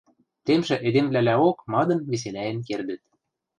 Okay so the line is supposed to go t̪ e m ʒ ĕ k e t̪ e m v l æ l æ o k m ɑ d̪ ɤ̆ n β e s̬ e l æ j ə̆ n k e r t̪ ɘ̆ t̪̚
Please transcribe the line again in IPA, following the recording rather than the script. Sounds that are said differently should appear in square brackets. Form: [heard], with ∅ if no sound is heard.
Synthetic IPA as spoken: t̪ e m ʒ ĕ [ʔ] e [d̪] e m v l æ l æ o k m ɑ d̪ ɤ̆ n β e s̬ e l æ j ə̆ n k e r [d̪] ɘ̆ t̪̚